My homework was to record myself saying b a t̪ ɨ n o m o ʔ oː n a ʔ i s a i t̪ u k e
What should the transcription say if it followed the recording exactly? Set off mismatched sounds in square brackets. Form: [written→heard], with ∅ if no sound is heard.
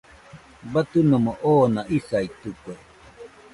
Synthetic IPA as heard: b a t̪ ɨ n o m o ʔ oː n a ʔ i s a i t̪ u k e